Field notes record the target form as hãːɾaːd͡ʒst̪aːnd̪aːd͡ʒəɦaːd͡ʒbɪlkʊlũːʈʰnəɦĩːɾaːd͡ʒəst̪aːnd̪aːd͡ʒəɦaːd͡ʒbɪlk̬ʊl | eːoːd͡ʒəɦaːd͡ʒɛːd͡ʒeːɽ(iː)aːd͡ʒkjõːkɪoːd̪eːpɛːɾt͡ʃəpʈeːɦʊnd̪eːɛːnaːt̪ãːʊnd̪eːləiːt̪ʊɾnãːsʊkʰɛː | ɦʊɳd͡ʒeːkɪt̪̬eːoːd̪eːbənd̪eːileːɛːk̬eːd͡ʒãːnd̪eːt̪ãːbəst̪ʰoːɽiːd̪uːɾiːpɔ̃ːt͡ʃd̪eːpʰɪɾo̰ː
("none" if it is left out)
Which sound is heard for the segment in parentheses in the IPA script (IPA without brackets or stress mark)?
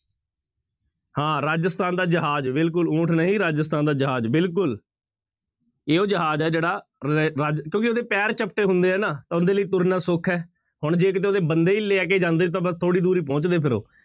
aː